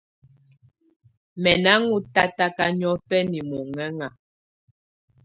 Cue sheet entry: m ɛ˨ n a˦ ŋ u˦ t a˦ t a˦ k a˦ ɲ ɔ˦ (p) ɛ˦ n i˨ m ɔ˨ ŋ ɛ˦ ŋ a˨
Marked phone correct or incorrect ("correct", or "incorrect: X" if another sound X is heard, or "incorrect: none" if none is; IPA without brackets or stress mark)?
correct